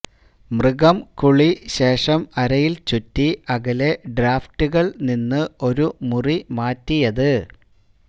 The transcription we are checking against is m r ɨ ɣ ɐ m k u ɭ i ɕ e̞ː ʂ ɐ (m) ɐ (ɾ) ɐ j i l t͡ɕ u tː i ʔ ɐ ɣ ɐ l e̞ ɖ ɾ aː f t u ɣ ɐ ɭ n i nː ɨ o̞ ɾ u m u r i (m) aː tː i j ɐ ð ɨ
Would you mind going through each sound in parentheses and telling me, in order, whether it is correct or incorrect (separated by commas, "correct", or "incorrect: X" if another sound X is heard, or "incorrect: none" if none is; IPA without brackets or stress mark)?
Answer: correct, correct, correct